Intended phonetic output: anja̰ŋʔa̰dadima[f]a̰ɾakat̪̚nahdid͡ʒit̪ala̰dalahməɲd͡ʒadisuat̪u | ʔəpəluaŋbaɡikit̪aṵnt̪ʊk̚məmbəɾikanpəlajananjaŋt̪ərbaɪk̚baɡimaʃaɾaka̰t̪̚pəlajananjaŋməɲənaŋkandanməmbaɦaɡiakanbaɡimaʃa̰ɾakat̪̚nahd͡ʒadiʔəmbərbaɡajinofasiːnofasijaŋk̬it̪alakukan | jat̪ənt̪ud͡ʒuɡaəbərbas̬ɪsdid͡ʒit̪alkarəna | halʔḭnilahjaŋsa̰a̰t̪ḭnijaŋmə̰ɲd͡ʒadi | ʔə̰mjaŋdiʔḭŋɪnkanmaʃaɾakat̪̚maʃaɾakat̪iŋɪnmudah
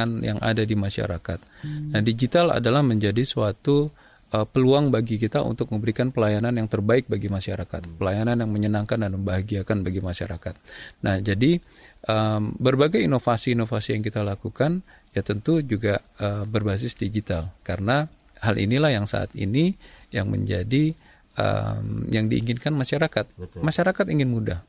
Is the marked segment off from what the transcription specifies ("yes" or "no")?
yes